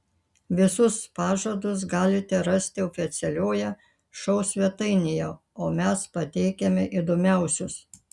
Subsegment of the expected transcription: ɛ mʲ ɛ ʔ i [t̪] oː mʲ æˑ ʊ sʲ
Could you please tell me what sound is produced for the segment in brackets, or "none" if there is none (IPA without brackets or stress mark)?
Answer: d̪